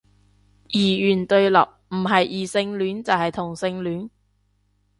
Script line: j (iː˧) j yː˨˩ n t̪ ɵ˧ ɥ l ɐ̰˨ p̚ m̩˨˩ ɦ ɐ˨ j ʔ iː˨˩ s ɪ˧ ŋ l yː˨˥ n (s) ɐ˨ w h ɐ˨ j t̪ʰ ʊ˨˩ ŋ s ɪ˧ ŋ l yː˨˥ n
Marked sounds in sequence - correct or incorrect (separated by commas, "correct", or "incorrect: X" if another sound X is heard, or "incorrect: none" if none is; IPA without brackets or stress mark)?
incorrect: iː˨˩, incorrect: t͡s